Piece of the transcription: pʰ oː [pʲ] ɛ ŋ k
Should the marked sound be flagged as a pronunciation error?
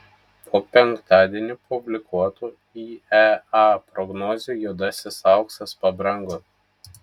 no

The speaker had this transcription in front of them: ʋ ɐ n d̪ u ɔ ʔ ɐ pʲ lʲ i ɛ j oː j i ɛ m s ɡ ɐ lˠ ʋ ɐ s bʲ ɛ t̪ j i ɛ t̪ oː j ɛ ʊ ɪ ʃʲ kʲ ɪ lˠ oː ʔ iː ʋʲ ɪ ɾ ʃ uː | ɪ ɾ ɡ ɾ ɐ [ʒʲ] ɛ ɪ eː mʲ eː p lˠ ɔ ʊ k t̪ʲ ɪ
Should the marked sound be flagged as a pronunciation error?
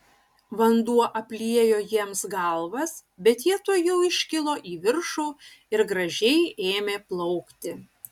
no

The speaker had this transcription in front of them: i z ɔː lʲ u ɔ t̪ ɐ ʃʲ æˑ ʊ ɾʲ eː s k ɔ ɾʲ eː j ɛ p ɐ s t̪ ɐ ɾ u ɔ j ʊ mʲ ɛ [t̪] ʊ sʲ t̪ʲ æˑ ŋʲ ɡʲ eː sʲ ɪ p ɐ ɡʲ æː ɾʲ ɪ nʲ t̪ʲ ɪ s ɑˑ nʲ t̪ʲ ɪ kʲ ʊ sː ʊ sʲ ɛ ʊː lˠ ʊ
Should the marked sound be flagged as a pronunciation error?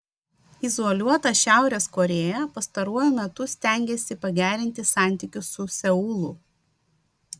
no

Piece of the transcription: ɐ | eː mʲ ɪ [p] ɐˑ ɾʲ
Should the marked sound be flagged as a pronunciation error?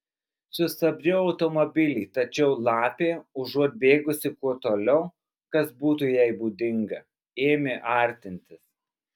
yes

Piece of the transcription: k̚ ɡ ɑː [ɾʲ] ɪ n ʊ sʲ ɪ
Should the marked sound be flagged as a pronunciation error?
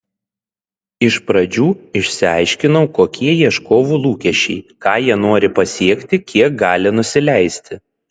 yes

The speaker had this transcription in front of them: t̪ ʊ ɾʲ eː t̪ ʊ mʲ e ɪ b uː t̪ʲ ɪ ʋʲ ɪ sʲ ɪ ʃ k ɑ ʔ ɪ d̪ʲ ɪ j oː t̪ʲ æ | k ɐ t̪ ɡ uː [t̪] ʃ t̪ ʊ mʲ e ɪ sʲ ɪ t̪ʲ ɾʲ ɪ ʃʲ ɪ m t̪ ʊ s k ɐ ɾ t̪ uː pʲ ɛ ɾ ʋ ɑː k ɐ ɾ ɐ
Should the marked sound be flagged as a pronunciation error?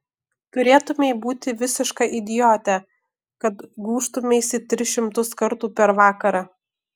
yes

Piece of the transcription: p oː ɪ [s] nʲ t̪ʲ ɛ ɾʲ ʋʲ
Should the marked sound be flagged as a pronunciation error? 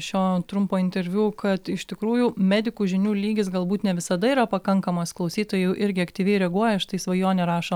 yes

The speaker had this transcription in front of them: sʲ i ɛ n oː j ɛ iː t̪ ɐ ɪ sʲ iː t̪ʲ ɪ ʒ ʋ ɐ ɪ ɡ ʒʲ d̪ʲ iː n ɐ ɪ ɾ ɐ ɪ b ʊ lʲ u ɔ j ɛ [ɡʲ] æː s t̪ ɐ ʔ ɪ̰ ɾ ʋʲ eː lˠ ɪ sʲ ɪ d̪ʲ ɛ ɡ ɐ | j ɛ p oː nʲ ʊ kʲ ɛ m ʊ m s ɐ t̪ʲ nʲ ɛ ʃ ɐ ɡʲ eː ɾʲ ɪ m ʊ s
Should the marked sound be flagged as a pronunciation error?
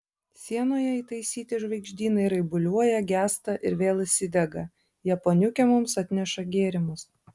no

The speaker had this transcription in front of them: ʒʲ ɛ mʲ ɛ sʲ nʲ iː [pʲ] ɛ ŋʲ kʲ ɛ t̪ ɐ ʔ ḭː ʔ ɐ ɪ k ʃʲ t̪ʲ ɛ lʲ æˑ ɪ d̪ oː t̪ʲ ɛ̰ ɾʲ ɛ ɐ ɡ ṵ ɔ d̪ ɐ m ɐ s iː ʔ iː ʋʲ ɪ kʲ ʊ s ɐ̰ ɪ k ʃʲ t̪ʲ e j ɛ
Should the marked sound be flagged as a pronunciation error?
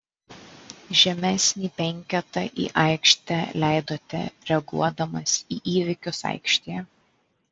no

